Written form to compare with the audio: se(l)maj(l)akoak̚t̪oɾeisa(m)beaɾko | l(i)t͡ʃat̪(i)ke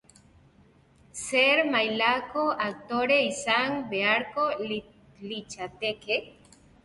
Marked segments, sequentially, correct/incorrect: incorrect, correct, incorrect, correct, incorrect

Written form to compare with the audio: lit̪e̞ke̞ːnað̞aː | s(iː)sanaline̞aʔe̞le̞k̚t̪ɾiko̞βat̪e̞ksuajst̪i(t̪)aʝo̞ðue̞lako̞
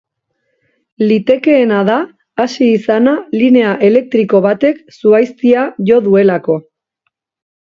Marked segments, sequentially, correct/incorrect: correct, incorrect

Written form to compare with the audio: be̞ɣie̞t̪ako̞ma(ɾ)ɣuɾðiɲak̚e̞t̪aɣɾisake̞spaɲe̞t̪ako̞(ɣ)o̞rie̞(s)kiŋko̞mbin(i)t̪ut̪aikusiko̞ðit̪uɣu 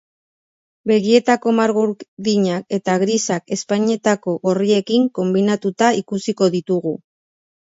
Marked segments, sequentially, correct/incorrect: correct, correct, incorrect, incorrect

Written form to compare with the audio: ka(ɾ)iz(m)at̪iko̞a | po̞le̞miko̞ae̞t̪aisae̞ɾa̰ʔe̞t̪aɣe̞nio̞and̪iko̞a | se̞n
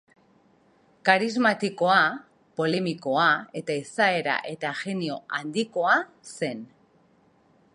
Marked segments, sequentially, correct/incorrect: correct, correct

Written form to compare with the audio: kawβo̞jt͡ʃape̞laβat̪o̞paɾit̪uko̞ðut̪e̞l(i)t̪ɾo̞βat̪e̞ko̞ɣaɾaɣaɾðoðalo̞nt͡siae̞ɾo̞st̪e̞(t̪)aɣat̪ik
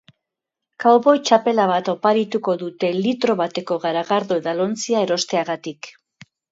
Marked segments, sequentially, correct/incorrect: correct, incorrect

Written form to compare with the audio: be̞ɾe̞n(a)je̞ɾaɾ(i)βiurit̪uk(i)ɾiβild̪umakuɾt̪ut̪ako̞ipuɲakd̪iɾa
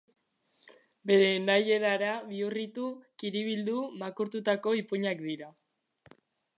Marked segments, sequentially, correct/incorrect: correct, incorrect, correct

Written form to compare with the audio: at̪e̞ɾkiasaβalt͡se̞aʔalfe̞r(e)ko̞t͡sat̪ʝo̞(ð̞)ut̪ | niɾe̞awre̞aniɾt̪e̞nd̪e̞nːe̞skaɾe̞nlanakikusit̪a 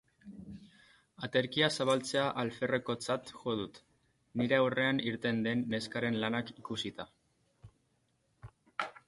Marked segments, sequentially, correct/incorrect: correct, correct

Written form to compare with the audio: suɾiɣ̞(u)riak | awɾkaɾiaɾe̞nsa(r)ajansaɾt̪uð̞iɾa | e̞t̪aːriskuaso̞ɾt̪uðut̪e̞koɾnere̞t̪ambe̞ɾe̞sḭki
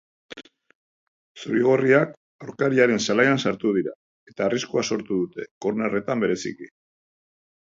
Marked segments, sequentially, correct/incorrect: incorrect, incorrect

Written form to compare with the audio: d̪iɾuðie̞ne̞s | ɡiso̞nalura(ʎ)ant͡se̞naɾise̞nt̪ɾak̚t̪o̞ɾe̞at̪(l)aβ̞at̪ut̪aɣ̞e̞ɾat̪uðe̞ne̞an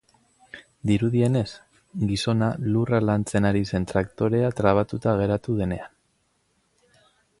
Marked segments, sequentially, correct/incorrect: incorrect, incorrect

